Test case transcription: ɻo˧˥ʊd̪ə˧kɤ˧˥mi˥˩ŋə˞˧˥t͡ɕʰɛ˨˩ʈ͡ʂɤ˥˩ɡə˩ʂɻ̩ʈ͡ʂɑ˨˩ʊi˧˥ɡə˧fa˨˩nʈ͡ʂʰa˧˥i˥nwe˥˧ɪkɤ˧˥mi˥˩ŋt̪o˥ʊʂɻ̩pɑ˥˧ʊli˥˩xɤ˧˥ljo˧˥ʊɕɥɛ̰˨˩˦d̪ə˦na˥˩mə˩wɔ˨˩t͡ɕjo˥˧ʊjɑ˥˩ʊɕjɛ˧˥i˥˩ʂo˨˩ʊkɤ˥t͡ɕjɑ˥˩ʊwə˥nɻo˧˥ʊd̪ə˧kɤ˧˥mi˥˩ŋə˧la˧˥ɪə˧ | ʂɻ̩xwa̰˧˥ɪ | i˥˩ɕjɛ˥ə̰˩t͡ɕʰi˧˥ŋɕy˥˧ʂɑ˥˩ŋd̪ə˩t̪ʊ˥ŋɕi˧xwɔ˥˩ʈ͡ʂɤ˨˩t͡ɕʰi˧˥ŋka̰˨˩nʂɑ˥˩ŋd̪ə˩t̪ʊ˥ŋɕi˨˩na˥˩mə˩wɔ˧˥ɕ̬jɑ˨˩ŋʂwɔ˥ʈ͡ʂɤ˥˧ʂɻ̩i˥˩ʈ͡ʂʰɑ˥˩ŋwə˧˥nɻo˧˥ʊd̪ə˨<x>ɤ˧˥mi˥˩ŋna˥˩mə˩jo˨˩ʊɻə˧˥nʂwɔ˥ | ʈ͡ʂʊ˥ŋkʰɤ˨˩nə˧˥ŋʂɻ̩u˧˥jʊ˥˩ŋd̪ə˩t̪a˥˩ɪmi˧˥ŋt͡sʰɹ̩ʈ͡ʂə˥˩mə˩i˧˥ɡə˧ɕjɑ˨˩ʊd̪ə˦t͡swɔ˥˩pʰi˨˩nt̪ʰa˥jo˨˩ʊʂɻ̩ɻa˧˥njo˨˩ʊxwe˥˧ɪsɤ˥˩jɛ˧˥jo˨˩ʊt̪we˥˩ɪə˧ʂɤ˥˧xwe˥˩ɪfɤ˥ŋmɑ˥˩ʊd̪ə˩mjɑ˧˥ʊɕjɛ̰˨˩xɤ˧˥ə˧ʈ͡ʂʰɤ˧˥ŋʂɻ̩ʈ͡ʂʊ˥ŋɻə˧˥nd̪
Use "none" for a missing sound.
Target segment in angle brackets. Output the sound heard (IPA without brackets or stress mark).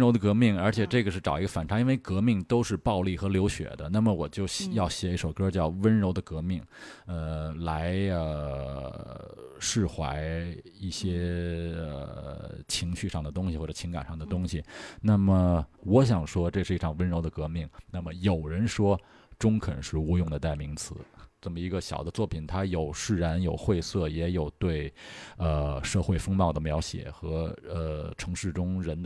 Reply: k